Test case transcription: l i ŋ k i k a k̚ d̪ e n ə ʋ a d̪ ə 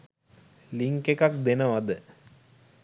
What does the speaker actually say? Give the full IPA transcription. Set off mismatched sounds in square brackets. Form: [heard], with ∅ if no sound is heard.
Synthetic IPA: l i ŋ k [e] k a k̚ d̪ e n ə ʋ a d̪ ə